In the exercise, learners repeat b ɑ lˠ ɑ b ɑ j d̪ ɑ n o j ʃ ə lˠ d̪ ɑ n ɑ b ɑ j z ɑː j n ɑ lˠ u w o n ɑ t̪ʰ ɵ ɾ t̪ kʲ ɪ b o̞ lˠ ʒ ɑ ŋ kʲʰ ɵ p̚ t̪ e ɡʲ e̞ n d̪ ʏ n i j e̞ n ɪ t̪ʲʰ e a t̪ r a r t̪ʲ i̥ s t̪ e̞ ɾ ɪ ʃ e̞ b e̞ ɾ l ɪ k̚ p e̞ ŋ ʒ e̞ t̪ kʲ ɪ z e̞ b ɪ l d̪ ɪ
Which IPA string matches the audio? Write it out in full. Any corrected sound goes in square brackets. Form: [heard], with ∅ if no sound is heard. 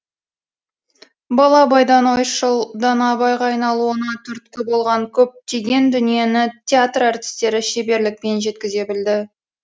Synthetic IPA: b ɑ lˠ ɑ b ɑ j d̪ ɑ n o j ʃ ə lˠ d̪ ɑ n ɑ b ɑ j [ʁ] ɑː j n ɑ lˠ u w o n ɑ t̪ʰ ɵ ɾ t̪ kʲ ɪ b o̞ lˠ [ʁ] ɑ ŋ kʲʰ ɵ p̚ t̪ e ɡʲ e̞ n d̪ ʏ n i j e̞ n ɪ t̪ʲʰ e a t̪ r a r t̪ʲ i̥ s t̪ e̞ ɾ ɪ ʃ e̞ b e̞ ɾ l ɪ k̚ p e̞ [n] ʒ e̞ t̪ kʲ ɪ z e̞ b ɪ l d̪ ɪ